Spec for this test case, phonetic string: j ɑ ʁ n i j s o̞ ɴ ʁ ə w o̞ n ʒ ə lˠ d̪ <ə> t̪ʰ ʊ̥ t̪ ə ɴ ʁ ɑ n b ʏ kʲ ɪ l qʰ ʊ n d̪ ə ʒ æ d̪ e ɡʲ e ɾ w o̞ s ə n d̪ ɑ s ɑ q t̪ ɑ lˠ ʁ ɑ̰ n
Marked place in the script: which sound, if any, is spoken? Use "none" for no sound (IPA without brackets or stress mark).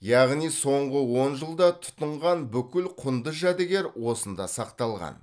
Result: ɑ